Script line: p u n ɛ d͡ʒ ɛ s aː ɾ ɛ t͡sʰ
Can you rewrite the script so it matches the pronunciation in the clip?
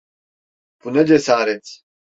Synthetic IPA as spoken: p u n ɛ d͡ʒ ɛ s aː ɾ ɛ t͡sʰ